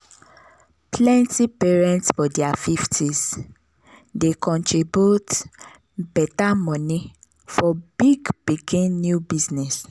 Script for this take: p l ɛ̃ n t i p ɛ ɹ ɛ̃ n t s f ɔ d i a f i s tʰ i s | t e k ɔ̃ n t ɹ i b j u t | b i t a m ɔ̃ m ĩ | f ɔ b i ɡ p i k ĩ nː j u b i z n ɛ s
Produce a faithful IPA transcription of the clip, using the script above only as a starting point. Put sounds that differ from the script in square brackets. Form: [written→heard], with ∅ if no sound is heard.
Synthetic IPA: p l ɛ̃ n t i p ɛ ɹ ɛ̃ n t s f ɔ d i a f i [s→f] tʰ i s | [t→d] e k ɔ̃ n t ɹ i b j u t | b [i→ɛ] t a m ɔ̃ [m→n] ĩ | f ɔ b i ɡ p i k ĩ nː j u b i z n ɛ s

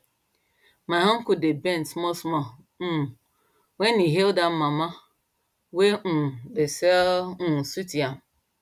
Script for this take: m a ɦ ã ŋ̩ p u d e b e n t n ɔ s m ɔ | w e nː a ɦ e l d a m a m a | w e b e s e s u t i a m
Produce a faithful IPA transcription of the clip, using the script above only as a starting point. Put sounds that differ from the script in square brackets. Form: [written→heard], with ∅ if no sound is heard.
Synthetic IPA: m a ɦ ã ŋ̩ [p→k] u d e b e n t [n→m] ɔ s m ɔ | w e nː [a→i] ɦ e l d a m a m a | w e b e s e s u t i a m

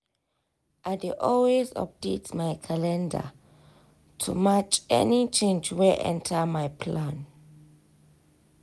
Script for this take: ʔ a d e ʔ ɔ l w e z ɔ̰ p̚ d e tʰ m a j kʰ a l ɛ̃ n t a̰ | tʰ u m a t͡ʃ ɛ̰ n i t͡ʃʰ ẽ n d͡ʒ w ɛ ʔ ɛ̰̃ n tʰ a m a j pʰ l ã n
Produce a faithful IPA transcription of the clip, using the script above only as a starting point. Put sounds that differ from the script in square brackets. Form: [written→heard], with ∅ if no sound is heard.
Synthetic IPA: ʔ a d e ʔ ɔ l w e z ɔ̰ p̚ d e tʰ m a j kʰ a l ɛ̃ n [t→d] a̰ | tʰ u m a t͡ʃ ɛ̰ n i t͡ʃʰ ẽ n d͡ʒ w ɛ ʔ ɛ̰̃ n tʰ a m a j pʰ l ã n

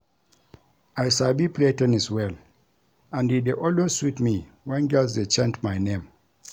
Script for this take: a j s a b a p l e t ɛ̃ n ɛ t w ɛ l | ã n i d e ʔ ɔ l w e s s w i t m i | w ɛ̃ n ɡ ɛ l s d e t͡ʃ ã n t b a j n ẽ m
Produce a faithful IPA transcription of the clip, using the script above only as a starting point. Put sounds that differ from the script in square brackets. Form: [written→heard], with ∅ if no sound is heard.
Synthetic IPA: a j s a b [a→i] p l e t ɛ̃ n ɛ [t→s] w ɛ l | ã n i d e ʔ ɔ l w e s s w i t m i | w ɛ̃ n ɡ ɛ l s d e t͡ʃ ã n t [b→m] a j n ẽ m

